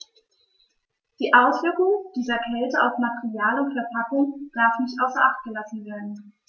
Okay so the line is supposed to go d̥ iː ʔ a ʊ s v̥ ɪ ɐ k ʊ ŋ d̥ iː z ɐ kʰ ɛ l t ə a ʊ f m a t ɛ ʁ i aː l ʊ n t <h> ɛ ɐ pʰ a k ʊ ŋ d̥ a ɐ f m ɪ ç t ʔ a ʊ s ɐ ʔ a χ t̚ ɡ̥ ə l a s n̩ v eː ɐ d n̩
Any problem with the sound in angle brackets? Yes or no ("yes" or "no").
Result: yes